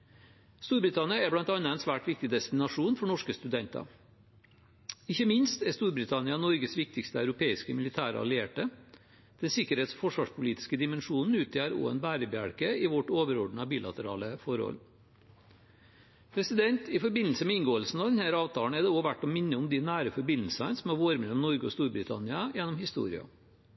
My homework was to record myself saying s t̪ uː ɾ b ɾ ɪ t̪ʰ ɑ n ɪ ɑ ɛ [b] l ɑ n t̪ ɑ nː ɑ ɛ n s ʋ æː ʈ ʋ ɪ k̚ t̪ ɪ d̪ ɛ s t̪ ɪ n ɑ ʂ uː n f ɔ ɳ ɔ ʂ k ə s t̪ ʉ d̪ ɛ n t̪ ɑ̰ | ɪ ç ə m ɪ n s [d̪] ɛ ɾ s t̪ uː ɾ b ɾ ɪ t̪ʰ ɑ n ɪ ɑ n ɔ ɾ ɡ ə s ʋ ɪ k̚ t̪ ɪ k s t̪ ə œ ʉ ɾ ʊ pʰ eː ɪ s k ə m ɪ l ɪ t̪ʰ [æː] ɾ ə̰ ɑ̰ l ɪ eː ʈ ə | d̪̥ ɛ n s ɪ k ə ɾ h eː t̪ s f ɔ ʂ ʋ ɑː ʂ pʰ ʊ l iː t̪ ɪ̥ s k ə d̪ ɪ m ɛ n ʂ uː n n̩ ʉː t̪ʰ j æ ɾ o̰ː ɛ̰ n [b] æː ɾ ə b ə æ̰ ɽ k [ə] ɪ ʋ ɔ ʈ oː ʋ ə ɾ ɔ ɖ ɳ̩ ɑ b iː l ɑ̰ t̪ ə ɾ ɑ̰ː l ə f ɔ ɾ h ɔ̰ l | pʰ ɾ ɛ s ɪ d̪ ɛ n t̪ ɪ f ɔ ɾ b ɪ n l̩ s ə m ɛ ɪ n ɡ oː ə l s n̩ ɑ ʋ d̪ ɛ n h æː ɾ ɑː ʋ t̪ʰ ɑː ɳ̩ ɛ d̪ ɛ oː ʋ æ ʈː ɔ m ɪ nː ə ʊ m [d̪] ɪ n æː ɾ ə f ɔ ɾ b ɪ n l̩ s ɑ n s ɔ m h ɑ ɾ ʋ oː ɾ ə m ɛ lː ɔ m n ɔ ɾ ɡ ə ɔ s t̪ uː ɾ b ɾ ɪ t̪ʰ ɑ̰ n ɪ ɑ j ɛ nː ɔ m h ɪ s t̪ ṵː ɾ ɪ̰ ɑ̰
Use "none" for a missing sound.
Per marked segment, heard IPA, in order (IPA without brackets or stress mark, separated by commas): b, t̪, æː, b, ə, d̪